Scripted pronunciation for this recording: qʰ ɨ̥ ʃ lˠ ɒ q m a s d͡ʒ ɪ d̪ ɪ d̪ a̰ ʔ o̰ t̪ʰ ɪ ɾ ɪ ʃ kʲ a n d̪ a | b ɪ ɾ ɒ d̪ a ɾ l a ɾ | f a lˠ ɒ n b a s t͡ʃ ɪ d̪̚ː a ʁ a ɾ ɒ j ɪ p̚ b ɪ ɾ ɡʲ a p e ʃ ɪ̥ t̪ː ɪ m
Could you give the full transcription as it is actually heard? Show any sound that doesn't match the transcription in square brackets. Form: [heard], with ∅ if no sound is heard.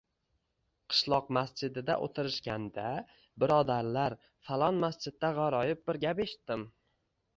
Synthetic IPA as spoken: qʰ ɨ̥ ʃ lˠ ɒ q m a s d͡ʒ ɪ d̪ ɪ d̪ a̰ ʔ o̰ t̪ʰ ɪ ɾ ɪ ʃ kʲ a n d̪ a | b ɪ ɾ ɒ d̪ a ɾ l a ɾ | f a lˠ ɒ n [m] a s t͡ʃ ɪ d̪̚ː a ʁ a ɾ ɒ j ɪ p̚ b ɪ ɾ ɡʲ a p e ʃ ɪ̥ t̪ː ɪ m